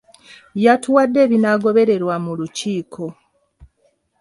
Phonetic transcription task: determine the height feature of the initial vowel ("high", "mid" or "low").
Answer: low